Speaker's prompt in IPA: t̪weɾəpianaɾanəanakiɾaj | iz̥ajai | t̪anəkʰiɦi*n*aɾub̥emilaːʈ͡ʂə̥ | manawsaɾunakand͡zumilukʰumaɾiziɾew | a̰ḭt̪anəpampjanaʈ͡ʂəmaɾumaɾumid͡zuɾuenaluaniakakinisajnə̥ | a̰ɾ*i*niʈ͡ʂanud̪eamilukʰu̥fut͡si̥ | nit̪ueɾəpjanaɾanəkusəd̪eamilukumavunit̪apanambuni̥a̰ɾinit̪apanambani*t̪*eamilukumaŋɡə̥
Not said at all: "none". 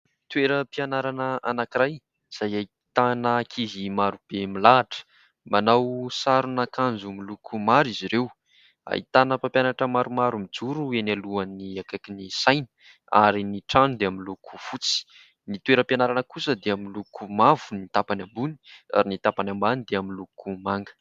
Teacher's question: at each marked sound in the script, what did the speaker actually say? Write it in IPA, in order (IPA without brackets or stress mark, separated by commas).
m, i, d̪